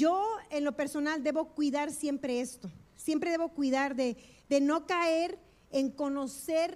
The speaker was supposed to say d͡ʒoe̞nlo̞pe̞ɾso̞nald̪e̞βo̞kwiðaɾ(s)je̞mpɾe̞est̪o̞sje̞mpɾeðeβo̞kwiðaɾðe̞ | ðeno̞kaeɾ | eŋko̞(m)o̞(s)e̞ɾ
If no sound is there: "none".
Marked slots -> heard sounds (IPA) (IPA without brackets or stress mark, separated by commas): s, n, s